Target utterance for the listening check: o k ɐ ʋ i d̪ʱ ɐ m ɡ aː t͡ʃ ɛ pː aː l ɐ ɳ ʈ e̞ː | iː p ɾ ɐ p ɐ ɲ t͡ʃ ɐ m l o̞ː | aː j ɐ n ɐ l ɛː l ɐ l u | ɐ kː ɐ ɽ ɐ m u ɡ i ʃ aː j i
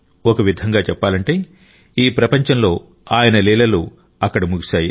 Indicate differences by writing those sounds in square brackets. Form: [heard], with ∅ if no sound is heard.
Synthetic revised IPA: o k ɐ ʋ i d̪ʱ ɐ [ŋ] ɡ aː t͡ʃ ɛ pː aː l ɐ ɳ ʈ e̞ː | iː p ɾ ɐ p ɐ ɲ t͡ʃ ɐ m l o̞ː | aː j ɐ n ɐ l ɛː l ɐ l u | ɐ kː ɐ ɽ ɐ m u ɡ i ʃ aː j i